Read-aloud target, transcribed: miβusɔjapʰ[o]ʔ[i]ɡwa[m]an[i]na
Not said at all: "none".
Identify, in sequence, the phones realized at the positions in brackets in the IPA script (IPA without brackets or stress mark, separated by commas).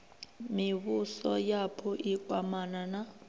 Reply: ɔ, i, m, a